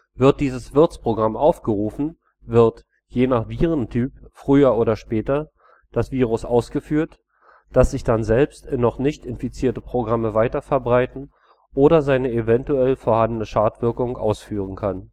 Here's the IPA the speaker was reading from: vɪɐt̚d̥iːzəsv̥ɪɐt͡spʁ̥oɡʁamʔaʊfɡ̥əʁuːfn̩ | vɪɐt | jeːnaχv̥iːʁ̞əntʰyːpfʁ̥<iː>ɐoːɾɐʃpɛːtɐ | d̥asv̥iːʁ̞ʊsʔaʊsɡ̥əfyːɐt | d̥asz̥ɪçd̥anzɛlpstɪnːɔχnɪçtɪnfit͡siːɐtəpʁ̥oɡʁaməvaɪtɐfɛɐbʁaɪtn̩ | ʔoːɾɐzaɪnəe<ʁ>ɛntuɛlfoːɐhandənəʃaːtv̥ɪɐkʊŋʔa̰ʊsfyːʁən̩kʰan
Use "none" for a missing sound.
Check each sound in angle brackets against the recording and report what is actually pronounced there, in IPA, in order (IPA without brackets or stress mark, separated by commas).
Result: yː, v